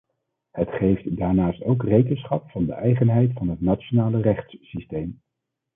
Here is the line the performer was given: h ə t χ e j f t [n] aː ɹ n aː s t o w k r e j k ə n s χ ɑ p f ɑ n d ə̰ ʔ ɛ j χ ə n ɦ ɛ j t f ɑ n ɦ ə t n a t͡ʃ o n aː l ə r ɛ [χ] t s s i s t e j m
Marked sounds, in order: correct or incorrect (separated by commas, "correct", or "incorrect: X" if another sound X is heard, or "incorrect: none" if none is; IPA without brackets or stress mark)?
incorrect: d, correct